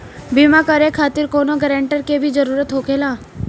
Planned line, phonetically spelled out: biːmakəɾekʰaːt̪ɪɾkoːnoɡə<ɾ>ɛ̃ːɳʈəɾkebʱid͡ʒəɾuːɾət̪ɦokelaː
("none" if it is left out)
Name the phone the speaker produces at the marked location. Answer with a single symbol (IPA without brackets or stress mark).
ɾ